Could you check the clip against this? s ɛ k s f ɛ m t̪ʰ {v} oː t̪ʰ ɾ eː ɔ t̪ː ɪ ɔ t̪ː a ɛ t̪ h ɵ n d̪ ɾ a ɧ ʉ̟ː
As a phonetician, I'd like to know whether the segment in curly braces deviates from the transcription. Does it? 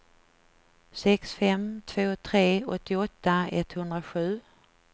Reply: no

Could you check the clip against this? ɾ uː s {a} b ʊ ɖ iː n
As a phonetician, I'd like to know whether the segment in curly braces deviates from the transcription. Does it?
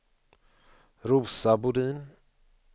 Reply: no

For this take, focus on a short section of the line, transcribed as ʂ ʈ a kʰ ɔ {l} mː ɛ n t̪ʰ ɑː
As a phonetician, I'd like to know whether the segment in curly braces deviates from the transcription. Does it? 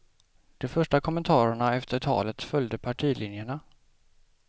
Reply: yes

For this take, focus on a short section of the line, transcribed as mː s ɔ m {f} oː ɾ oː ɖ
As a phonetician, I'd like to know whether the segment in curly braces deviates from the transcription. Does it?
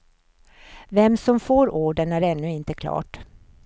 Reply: no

